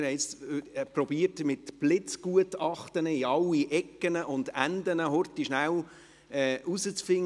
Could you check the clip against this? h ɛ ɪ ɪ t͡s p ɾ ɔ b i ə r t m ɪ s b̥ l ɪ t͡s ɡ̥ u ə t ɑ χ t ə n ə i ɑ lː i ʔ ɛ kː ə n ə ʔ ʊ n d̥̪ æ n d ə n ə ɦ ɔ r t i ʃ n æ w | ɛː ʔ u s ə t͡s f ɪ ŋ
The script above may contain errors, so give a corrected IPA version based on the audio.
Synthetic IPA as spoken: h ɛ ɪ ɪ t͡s p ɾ ɔ b i ə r t m ɪ t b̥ l ɪ t͡s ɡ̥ u ə t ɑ χ t ə n ə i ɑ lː i ʔ ɛ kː ə n ə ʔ ʊ n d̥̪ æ n d ə n ə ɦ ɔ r t i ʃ n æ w | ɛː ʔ u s ə t͡s f ɪ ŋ